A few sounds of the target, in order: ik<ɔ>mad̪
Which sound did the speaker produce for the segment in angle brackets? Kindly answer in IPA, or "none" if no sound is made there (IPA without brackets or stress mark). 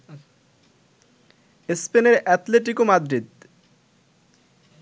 o